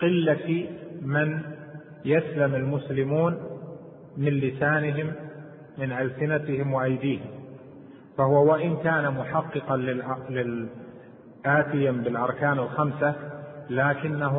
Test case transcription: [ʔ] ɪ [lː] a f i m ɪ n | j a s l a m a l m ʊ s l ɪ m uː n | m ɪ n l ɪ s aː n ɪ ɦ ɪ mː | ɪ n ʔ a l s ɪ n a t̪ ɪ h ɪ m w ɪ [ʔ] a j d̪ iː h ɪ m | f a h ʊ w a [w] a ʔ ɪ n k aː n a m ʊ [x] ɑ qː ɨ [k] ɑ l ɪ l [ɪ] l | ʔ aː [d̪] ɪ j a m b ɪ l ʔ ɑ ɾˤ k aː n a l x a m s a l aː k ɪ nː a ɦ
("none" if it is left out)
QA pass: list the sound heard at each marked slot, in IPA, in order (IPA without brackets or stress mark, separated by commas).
q, lː, ʔ, w, ħ, q, ɪ, t̪